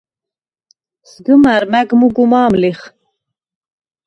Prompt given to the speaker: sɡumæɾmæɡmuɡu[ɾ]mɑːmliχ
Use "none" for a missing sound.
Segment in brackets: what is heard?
none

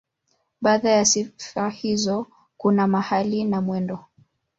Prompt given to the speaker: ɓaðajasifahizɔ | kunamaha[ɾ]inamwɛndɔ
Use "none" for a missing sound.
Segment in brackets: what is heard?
l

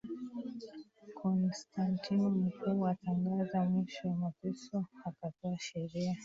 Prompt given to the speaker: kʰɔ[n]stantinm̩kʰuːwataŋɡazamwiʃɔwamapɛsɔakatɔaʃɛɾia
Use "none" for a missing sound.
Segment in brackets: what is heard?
n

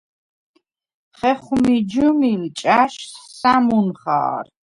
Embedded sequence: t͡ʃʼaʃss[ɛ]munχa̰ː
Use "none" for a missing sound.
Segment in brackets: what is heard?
a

